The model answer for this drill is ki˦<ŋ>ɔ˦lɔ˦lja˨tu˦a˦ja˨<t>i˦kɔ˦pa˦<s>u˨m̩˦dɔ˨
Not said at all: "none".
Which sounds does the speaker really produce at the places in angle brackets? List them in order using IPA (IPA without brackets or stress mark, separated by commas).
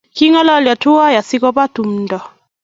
ŋ, s, t